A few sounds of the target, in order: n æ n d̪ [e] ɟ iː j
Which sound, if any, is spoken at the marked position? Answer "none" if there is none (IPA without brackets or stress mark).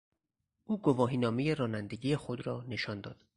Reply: e